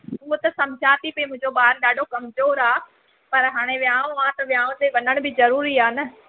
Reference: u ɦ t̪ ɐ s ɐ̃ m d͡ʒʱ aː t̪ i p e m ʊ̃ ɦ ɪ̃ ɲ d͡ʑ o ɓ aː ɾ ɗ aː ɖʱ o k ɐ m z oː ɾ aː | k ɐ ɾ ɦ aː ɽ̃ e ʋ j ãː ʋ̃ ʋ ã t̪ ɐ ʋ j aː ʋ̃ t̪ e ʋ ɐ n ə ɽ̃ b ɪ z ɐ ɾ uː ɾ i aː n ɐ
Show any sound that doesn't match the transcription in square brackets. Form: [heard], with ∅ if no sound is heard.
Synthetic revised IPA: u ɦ t̪ ɐ s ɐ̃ m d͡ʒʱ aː t̪ i p e m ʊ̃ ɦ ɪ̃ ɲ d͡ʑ o ɓ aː ɾ ɗ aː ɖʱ o k ɐ m z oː ɾ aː | [p] ɐ ɾ ɦ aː ɽ̃ e ʋ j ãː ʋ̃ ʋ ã t̪ ɐ ʋ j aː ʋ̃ t̪ e ʋ ɐ n ə ɽ̃ b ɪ z ɐ ɾ uː ɾ i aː n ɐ